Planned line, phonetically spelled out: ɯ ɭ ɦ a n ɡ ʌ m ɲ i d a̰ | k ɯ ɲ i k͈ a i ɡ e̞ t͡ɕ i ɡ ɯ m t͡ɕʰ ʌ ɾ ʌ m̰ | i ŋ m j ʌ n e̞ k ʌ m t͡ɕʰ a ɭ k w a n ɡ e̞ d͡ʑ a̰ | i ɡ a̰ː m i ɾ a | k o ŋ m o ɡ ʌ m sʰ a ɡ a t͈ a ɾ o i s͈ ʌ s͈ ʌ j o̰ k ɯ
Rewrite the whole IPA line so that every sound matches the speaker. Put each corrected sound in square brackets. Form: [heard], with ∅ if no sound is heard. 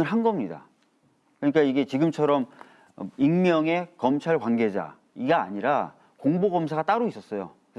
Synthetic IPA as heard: ɯ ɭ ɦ a n ɡ ʌ m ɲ i d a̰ | k ɯ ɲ i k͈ a i ɡ e̞ t͡ɕ i ɡ ɯ m t͡ɕʰ ʌ ɾ ʌ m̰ | i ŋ m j ʌ [ŋ] e̞ k ʌ m t͡ɕʰ a ɭ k w a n ɡ e̞ d͡ʑ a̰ | i ɡ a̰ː [ɲ] i ɾ a | k o ŋ [b] o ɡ ʌ m sʰ a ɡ a t͈ a ɾ o i s͈ ʌ s͈ ʌ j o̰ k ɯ